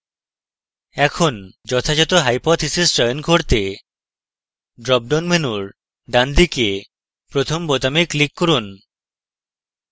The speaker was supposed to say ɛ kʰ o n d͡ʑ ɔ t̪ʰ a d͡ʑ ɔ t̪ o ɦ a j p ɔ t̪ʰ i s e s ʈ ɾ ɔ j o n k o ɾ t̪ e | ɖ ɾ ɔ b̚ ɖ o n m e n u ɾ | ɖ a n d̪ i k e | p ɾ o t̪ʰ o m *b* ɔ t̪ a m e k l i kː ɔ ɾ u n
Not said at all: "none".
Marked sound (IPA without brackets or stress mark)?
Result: b